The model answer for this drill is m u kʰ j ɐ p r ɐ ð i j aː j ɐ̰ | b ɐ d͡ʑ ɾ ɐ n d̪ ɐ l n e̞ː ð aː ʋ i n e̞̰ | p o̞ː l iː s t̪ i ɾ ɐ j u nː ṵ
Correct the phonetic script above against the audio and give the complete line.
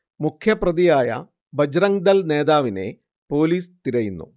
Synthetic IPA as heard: m u kʰ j ɐ p r ɐ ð i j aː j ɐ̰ | b ɐ d͡ʑ ɾ ɐ ŋ d̪ ɐ l n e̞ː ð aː ʋ i n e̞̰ | p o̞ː l iː s t̪ i ɾ ɐ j u nː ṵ